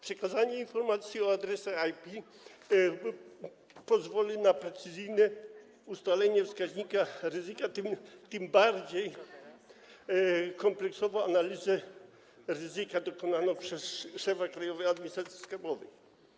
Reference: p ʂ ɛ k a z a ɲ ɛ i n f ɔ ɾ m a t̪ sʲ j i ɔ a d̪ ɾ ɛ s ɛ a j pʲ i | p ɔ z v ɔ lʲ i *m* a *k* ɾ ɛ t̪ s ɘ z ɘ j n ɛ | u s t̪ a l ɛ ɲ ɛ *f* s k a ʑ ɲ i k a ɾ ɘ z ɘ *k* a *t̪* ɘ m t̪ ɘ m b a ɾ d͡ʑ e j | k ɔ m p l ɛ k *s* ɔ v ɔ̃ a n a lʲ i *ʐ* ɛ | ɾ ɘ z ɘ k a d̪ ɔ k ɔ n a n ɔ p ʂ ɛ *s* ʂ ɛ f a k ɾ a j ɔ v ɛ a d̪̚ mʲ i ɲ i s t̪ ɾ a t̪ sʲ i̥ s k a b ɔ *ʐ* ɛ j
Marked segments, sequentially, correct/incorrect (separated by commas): incorrect, incorrect, correct, correct, correct, correct, incorrect, correct, incorrect